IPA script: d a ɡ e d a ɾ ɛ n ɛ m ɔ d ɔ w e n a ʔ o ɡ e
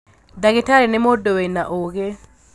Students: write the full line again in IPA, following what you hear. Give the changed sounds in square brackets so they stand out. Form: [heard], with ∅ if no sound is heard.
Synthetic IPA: d a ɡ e [t] a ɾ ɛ n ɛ m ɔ d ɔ w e n a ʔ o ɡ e